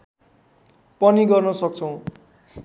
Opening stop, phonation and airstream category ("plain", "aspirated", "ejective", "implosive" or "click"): plain